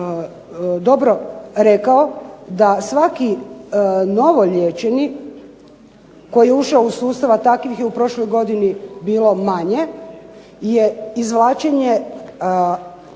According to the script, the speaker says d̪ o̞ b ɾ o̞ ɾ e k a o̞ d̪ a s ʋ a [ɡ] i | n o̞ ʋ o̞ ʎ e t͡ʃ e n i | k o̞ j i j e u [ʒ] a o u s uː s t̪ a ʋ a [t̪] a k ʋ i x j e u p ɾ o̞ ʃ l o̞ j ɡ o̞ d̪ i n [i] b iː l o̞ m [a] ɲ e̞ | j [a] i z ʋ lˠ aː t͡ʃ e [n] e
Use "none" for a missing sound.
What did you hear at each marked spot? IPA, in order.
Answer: k, ʃ, t̪, i, a, e, ɲ

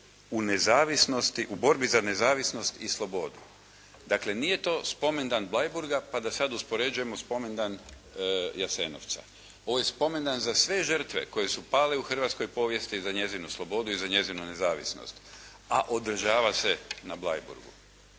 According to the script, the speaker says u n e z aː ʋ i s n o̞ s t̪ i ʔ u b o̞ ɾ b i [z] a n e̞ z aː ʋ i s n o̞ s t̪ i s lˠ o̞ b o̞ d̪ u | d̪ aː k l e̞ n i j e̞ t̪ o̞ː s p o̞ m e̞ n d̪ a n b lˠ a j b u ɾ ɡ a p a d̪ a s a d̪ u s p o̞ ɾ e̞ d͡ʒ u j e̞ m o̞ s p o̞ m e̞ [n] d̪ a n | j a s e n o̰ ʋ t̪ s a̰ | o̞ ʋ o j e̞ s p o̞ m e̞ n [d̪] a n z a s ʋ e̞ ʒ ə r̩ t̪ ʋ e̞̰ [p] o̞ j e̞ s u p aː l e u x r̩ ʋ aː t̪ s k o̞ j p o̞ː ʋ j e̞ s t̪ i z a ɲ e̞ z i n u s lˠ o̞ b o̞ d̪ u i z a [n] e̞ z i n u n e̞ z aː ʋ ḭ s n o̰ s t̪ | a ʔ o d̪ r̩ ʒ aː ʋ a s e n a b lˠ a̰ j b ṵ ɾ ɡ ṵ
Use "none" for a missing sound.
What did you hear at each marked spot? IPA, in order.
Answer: z, n, d̪, k, ɲ

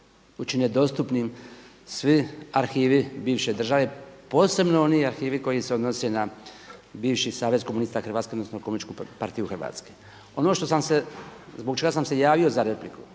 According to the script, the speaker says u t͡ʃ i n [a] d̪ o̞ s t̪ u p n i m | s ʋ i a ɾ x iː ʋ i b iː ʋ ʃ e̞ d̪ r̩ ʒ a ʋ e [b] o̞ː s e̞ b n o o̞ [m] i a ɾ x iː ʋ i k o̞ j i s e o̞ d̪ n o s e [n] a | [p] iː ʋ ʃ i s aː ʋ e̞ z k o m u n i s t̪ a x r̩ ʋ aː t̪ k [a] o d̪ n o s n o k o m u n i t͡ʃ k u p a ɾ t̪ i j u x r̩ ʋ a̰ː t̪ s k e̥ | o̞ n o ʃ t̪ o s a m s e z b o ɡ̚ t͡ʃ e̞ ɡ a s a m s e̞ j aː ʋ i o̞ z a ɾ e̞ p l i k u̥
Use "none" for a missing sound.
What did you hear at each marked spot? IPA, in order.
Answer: e, p, n, n, b, e

